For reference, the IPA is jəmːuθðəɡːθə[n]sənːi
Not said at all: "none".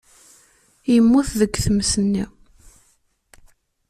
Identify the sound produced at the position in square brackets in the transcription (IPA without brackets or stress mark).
m